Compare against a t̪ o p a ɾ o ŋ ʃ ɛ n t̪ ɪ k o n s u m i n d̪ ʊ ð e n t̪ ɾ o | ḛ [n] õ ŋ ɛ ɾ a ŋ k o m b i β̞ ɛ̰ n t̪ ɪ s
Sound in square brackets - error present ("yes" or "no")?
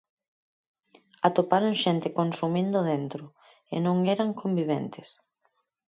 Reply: no